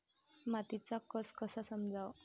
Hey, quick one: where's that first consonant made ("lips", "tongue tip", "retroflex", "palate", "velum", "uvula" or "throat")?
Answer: lips